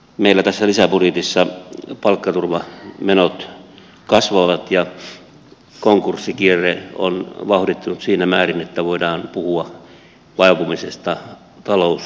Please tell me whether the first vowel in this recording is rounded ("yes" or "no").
no